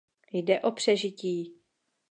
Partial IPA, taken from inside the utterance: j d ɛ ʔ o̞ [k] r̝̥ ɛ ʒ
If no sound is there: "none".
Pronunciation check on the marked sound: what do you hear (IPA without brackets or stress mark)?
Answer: p